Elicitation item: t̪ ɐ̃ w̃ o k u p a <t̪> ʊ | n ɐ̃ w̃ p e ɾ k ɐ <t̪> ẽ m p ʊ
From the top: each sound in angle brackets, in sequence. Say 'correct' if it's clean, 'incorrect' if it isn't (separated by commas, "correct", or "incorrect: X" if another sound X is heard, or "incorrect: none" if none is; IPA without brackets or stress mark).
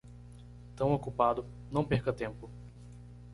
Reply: incorrect: d̪, correct